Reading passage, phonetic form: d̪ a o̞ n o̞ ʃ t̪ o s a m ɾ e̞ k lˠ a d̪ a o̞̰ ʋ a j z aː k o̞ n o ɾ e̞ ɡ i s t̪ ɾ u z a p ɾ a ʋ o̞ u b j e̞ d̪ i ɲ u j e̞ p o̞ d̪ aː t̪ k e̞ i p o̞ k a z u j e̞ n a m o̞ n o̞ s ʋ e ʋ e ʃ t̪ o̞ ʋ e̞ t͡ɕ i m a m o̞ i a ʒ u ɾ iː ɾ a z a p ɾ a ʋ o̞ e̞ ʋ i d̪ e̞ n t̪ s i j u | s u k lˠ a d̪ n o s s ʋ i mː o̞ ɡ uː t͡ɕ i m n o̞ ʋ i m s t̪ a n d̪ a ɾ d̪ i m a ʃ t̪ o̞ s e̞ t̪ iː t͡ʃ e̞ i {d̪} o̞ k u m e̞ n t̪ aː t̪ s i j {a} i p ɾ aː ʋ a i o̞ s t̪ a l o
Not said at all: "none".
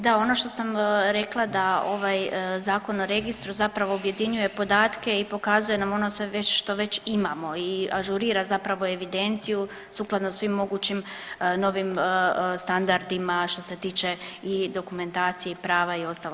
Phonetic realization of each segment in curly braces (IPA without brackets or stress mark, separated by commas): d̪, e